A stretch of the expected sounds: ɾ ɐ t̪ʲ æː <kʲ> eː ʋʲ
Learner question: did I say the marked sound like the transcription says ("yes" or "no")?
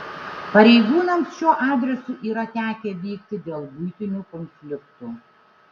yes